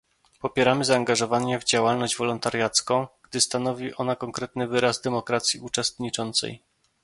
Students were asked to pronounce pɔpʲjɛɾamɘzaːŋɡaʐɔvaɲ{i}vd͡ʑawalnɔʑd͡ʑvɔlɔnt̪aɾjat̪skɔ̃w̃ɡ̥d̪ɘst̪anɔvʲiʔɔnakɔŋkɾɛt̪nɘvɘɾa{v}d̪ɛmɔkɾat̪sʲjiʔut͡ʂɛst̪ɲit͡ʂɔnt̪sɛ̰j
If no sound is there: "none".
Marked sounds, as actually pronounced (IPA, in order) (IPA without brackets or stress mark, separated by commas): ɛ, z